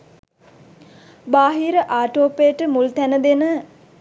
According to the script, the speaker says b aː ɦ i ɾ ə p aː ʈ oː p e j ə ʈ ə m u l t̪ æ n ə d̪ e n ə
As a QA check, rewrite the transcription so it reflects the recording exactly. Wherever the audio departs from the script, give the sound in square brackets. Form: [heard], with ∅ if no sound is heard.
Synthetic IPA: b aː ɦ i ɾ ə [ʔ] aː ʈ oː p e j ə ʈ ə m u l t̪ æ n ə d̪ e n ə